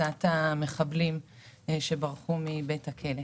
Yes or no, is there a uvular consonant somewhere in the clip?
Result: yes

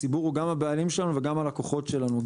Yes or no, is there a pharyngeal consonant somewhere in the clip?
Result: no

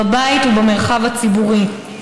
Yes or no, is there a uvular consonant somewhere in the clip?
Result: yes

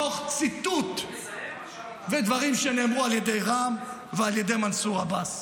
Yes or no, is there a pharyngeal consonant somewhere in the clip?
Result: no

